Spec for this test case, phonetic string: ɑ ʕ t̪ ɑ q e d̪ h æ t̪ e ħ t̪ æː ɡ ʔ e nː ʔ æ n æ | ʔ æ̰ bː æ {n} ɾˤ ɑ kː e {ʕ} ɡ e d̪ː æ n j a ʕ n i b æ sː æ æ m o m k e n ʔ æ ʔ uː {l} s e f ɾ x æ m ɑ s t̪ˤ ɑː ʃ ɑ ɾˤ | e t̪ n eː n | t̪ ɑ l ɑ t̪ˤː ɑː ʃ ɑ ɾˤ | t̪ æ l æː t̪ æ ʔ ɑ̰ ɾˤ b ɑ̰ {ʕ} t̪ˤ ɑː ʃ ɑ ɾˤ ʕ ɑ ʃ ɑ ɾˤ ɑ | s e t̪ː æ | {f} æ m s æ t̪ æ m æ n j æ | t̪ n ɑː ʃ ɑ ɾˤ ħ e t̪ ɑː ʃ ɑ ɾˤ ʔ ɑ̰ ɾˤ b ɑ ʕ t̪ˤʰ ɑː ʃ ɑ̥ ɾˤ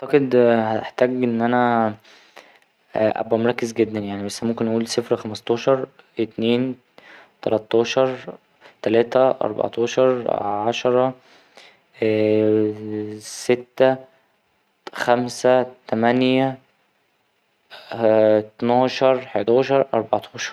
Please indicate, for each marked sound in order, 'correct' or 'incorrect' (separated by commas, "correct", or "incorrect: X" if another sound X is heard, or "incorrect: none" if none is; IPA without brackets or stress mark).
incorrect: m, incorrect: z, correct, correct, incorrect: x